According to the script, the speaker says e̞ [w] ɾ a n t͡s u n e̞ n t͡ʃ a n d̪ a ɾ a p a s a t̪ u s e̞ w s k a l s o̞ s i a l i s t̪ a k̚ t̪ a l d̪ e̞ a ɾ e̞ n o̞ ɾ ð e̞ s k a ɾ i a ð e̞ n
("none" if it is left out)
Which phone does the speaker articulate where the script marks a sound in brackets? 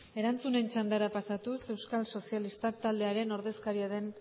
none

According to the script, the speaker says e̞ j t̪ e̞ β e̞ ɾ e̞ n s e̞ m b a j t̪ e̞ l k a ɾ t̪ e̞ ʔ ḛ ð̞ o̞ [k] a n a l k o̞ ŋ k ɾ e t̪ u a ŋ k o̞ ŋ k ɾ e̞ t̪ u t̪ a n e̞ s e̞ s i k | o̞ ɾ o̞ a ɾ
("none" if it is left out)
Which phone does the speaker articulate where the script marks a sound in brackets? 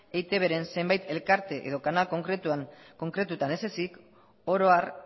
k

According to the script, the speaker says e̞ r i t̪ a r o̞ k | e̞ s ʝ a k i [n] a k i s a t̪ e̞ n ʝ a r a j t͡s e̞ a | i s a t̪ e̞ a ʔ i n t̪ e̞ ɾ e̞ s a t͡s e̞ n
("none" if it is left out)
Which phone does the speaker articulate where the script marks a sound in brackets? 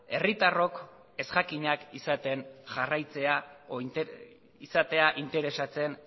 ɲ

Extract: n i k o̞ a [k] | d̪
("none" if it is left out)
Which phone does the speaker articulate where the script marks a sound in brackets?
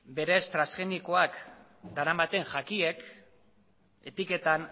k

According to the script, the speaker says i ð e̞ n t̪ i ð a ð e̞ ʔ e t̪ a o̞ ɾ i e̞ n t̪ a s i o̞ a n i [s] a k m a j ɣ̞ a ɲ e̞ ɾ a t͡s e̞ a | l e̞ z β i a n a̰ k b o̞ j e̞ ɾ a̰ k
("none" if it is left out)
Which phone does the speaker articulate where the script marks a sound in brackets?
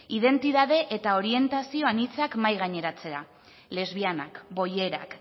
t͡s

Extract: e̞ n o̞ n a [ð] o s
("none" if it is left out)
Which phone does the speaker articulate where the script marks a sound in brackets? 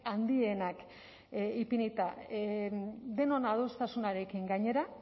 ð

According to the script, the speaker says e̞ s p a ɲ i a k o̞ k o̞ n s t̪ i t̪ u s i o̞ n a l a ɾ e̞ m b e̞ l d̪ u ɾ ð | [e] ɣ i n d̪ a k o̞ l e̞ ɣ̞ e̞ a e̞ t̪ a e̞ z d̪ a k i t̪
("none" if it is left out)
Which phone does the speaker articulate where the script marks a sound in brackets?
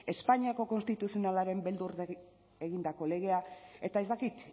e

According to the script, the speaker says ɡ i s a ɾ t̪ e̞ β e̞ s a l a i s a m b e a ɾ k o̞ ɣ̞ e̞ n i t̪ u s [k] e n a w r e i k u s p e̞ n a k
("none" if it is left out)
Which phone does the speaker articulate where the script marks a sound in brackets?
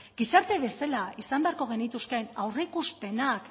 k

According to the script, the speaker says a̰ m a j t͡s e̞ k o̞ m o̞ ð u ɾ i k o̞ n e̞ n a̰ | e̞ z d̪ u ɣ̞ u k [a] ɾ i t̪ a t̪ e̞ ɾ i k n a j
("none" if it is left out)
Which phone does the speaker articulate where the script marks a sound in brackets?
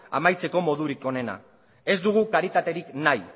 a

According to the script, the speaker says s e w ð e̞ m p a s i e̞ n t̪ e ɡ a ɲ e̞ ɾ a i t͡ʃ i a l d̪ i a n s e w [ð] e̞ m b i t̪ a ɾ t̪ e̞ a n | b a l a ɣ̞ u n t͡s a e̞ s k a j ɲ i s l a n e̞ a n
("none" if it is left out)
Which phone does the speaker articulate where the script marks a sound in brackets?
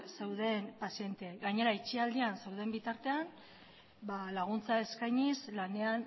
ð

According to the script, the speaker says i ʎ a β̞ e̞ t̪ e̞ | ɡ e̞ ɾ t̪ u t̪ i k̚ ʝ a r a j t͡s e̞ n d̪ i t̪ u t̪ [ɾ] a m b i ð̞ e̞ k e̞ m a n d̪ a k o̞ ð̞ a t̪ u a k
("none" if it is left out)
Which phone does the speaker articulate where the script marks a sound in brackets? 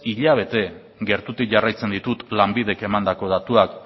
l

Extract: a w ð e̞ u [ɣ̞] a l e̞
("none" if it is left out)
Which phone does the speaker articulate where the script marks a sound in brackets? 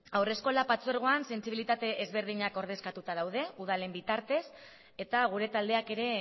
ð̞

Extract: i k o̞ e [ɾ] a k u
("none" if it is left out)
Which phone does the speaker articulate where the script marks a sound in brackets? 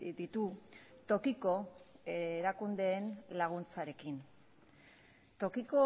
ɾ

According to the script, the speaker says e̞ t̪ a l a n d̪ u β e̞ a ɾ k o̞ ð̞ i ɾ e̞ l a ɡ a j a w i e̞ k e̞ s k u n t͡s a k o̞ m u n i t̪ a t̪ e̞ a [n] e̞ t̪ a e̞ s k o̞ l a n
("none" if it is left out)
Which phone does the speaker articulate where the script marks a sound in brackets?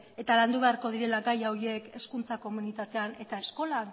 n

